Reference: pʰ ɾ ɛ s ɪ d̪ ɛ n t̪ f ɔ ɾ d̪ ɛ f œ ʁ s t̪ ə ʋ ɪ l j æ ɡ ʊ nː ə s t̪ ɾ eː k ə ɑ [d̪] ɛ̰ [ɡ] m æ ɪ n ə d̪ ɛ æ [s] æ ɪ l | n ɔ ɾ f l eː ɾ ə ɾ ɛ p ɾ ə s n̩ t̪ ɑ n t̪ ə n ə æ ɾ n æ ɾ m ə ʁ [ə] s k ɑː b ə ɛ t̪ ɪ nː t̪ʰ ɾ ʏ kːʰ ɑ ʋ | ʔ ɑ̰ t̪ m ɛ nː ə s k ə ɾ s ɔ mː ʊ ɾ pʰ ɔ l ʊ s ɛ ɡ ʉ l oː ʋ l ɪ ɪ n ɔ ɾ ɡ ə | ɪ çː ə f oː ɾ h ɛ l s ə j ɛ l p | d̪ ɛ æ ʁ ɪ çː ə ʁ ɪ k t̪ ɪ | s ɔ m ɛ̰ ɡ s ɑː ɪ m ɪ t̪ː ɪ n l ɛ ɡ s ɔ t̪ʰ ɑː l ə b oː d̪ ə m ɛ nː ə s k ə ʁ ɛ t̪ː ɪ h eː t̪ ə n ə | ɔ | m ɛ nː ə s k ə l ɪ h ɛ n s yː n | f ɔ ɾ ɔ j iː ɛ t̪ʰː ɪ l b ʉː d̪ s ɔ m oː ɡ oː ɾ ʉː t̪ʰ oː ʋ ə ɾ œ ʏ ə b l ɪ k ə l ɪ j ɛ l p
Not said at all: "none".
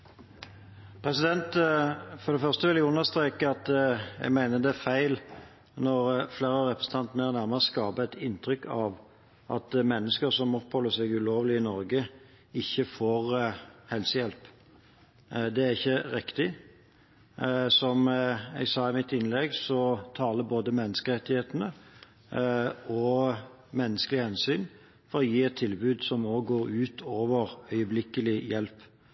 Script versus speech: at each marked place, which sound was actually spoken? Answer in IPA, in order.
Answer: t̪, ɡ, f, ə

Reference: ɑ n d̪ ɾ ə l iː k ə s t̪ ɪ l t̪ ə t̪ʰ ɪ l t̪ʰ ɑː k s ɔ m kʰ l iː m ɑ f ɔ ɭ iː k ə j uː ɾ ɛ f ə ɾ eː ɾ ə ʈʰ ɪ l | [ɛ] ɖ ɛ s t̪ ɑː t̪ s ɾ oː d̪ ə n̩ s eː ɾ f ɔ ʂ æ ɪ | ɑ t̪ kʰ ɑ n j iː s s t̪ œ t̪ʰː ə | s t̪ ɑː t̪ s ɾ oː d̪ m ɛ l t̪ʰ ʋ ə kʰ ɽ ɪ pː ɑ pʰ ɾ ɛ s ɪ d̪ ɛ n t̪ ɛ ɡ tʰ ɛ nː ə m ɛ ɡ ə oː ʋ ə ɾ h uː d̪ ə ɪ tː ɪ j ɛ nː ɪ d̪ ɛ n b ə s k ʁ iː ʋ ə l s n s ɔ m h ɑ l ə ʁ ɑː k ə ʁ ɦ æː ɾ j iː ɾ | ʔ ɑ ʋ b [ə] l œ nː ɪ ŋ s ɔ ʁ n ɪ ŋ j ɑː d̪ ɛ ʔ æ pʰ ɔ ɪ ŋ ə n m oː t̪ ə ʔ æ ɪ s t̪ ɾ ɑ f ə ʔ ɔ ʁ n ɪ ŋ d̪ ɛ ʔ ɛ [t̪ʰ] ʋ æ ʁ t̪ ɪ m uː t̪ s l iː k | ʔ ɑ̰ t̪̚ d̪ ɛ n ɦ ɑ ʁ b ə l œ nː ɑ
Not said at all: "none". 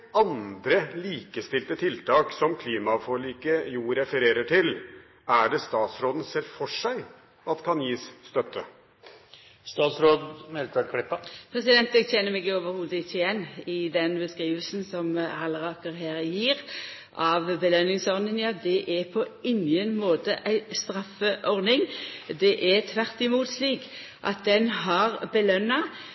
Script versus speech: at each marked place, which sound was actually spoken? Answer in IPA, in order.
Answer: æ, ə, t̪ʰ

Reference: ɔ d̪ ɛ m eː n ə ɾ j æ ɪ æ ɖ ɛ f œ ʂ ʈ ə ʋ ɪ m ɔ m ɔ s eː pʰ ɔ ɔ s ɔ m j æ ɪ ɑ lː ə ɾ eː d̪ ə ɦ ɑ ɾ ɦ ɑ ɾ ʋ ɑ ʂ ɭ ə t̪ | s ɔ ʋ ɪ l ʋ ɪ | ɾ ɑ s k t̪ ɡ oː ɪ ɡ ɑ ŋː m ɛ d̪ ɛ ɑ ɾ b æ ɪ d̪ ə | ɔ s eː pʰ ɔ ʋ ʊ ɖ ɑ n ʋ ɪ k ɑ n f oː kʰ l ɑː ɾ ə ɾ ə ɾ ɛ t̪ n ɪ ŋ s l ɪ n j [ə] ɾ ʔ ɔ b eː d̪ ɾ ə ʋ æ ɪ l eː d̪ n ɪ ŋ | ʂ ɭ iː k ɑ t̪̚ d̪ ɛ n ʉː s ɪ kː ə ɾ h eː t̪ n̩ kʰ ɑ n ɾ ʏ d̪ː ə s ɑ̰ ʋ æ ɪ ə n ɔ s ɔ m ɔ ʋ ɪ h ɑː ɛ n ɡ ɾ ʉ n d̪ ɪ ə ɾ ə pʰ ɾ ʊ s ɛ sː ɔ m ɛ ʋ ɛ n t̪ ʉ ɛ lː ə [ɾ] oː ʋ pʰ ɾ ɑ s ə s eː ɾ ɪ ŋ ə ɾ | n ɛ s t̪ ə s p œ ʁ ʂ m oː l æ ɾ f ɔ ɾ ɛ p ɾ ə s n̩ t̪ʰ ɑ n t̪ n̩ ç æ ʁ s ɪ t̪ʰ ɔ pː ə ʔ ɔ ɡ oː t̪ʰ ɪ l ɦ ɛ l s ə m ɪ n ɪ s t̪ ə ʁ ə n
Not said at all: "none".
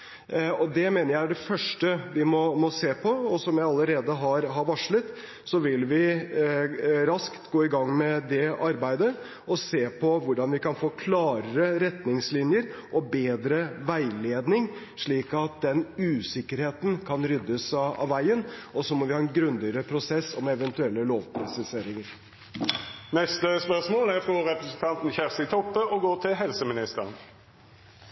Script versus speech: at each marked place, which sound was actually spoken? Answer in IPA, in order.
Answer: ə, l

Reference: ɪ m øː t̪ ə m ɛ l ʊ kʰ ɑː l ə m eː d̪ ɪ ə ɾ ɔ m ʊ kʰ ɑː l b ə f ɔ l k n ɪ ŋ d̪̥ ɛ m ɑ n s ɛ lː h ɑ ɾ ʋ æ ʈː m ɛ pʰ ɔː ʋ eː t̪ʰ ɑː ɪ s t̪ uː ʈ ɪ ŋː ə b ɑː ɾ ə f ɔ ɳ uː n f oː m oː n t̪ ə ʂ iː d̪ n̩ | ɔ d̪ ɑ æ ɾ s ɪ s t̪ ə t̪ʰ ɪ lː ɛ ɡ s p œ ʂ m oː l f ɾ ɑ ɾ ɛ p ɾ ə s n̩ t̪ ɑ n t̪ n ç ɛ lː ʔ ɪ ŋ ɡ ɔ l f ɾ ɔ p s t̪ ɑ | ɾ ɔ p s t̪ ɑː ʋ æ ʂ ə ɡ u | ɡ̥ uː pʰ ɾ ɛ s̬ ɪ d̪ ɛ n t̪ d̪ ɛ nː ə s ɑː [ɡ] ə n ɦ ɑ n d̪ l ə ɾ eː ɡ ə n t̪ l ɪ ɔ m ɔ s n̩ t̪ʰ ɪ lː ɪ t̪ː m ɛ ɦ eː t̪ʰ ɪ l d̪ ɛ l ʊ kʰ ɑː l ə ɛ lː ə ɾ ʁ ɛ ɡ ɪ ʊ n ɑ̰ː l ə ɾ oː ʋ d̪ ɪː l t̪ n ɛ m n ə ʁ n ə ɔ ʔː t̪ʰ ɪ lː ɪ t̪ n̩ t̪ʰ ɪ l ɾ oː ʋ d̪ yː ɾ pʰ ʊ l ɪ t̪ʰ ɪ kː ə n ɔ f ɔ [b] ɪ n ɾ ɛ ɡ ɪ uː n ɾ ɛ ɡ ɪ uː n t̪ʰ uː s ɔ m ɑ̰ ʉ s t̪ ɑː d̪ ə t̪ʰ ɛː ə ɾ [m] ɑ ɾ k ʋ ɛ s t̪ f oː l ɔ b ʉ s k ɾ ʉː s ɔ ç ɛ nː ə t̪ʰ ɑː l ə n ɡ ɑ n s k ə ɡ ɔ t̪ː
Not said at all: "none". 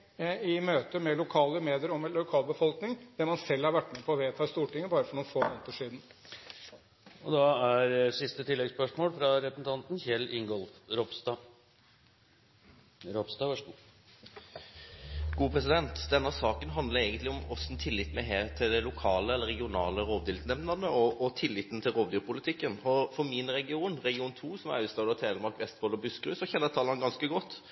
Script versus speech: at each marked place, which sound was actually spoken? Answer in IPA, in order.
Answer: k, m, m

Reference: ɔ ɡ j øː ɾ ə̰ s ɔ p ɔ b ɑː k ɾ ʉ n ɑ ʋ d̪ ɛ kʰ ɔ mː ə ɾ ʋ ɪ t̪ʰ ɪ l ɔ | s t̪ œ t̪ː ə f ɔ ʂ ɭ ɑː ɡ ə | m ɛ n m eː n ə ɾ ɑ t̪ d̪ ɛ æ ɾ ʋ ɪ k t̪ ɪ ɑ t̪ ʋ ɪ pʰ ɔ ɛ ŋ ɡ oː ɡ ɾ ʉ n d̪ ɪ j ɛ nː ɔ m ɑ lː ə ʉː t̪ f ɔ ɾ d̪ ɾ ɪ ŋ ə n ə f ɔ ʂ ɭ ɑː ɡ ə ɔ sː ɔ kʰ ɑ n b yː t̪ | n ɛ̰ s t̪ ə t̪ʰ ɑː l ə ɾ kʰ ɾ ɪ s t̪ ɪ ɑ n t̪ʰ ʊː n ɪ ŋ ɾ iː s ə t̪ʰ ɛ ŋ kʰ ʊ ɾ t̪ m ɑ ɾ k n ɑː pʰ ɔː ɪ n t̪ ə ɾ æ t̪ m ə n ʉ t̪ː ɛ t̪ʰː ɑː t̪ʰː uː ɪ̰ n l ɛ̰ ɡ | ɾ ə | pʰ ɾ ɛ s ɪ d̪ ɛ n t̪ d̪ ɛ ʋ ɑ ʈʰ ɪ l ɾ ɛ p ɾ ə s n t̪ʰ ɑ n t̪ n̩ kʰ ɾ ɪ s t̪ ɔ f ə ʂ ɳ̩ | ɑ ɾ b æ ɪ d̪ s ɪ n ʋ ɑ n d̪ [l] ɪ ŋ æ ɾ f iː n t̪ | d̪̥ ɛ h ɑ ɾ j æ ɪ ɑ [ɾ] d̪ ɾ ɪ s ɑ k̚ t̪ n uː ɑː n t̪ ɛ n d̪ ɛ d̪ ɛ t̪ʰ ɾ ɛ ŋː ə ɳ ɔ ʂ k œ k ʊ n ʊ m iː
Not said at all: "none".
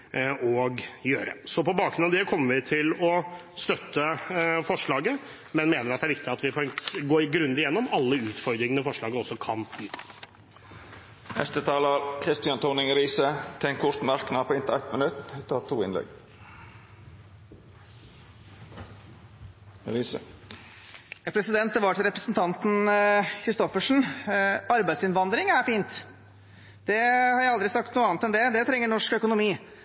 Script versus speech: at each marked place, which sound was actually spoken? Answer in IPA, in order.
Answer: ɾ, l

